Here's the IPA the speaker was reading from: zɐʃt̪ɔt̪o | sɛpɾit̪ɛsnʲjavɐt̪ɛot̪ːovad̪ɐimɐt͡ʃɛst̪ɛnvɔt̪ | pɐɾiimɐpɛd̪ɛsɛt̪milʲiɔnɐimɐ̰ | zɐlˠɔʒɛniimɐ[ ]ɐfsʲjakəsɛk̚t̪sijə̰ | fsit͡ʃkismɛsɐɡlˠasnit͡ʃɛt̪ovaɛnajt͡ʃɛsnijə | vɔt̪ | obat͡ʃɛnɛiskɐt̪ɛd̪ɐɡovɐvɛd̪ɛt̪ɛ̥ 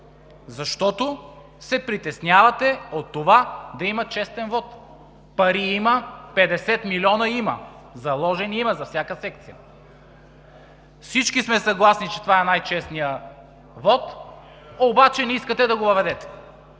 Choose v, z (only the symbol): z